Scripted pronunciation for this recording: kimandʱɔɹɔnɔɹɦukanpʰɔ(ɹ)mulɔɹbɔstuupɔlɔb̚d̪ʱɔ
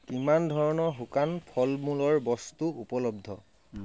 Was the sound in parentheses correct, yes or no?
no